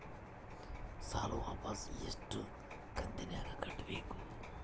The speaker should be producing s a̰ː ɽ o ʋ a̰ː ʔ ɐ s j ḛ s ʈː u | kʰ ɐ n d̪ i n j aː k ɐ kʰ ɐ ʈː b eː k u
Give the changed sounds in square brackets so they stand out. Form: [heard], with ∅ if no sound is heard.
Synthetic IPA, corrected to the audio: s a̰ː [l] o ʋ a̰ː [p] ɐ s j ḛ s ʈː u | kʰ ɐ n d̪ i n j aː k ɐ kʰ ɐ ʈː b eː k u